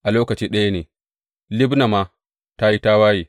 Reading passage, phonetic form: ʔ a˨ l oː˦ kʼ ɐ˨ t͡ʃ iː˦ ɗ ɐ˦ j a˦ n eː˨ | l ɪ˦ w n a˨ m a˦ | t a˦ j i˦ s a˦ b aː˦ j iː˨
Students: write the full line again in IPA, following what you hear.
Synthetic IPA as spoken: ʔ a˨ l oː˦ k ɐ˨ t͡ʃ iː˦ ɗ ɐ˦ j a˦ n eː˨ | l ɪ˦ b n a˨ m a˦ | t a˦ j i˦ t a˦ w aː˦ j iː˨